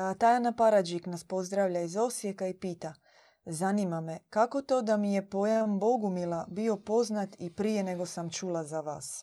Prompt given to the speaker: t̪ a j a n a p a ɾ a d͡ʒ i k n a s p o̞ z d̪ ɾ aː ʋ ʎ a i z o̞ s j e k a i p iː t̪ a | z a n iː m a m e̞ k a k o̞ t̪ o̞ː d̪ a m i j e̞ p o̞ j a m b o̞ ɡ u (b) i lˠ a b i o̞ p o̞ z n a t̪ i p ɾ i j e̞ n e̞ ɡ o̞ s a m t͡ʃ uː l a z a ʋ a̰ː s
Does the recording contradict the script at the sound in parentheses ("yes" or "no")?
yes